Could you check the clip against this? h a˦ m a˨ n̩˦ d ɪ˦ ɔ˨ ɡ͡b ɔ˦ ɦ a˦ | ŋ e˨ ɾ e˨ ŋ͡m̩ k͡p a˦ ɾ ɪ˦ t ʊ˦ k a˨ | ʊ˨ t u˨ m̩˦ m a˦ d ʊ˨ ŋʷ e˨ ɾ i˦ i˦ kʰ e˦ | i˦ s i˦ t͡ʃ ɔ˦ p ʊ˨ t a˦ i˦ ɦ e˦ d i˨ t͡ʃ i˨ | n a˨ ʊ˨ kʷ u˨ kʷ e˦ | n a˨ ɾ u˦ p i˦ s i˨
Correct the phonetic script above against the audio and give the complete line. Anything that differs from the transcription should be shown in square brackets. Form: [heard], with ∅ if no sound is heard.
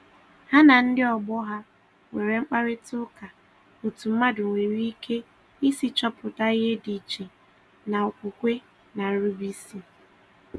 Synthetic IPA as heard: h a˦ [n] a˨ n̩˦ d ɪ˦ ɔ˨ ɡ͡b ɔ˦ ɦ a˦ | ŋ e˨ ɾ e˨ ŋ͡m̩ k͡p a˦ ɾ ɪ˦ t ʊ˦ k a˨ | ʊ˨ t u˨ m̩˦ m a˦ d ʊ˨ ŋʷ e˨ ɾ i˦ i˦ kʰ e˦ | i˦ s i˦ t͡ʃ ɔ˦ p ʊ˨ t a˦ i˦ ɦ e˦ d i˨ t͡ʃ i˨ | n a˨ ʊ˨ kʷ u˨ kʷ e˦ | n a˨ ɾ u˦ [b] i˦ s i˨